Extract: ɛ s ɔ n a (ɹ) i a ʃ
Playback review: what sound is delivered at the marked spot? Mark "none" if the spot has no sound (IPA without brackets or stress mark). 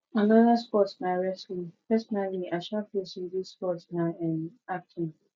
l